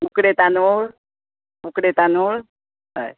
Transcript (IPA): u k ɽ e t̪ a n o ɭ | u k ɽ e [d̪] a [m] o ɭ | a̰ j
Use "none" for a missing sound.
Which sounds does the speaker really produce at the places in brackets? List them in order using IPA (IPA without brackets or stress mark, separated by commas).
t̪, n